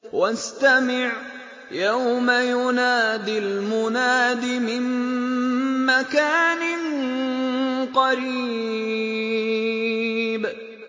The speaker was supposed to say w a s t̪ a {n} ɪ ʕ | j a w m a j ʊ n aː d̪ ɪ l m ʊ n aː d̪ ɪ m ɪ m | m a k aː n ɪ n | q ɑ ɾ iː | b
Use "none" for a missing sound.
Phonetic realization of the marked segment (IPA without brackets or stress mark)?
m